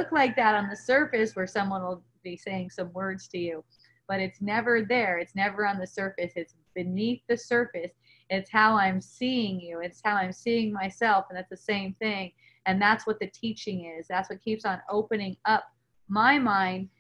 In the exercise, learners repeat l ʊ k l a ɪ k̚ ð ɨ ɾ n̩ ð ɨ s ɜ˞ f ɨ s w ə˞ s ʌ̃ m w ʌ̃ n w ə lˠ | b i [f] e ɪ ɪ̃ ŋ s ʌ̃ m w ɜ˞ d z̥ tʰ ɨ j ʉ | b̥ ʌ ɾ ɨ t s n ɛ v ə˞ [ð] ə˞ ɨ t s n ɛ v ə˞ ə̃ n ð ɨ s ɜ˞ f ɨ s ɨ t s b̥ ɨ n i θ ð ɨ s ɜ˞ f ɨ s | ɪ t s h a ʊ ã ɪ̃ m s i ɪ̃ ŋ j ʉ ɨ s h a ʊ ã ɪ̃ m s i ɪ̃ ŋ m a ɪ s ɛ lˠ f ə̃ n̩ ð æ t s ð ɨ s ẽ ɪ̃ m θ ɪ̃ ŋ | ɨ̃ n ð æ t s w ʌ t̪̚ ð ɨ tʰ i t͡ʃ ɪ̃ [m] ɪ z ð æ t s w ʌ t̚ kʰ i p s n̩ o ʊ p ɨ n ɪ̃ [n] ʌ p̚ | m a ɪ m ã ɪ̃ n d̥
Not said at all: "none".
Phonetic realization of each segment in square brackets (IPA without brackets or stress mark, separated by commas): s, ð, ŋ, ŋ